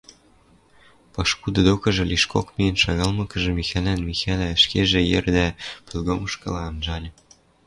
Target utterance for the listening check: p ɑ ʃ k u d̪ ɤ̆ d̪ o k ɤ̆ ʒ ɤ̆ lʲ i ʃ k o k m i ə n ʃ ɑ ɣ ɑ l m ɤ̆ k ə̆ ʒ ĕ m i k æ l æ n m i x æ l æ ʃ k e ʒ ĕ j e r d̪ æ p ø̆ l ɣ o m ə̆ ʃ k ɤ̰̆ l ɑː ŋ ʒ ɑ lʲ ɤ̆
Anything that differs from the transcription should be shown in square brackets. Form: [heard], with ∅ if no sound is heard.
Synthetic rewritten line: p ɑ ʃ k u d̪ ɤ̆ d̪ o k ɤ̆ ʒ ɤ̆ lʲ i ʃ k o k m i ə n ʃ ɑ ɣ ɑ l m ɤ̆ k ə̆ ʒ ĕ m i [x] æ l æ n m i x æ l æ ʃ k e ʒ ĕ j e r d̪ æ p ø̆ l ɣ o m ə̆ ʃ k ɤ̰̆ l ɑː [n] ʒ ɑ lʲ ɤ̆